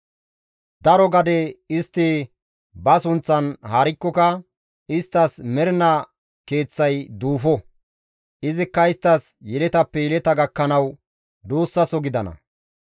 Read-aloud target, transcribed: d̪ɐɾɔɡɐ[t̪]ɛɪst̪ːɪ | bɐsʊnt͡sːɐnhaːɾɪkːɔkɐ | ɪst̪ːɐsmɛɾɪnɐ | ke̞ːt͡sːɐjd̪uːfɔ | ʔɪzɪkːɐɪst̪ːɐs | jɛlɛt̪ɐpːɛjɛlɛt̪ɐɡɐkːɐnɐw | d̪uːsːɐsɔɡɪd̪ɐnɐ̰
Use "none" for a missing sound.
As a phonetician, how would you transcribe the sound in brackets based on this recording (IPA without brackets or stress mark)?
d̪